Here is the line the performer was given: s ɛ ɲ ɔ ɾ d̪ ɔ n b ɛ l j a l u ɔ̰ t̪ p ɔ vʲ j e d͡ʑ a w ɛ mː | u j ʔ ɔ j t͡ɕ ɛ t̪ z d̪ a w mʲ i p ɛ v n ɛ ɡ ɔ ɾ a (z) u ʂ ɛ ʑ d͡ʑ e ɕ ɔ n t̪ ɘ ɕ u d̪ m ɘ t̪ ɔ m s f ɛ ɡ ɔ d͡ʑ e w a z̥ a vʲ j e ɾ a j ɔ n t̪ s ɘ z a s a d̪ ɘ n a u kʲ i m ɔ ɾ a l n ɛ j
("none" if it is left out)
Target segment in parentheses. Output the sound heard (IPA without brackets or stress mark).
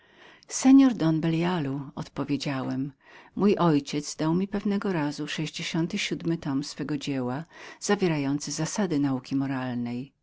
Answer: z